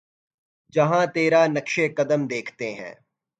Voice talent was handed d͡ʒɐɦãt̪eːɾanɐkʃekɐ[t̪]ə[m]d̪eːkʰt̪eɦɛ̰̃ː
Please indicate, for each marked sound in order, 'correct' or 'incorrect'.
incorrect, correct

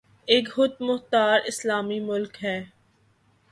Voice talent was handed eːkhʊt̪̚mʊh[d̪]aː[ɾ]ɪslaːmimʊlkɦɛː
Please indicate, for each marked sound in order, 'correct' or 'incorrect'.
incorrect, correct

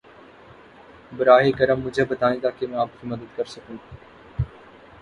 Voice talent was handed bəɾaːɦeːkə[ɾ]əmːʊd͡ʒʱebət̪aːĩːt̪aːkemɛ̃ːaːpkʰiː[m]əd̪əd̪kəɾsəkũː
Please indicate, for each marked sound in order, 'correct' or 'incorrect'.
correct, correct

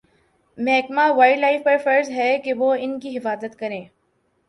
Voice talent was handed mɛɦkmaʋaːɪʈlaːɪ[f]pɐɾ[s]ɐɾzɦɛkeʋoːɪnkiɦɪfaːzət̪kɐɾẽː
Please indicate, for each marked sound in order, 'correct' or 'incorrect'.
correct, incorrect

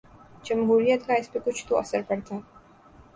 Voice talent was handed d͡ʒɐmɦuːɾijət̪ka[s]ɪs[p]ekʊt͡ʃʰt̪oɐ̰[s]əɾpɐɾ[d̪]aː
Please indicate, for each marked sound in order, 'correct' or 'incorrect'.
incorrect, correct, correct, incorrect

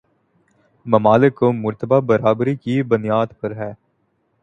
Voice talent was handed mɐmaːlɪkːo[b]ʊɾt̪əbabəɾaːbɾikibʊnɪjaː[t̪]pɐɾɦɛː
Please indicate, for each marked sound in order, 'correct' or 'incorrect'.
incorrect, incorrect

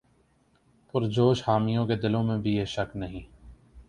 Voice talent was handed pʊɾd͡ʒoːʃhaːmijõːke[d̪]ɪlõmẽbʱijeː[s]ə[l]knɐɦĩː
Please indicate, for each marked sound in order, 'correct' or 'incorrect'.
correct, incorrect, incorrect

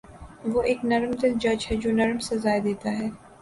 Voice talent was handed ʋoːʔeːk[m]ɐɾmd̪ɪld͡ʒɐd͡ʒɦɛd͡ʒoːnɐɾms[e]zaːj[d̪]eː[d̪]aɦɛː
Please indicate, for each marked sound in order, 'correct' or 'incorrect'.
incorrect, correct, correct, incorrect

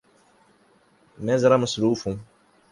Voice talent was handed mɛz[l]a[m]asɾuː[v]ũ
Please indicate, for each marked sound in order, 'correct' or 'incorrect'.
incorrect, correct, incorrect

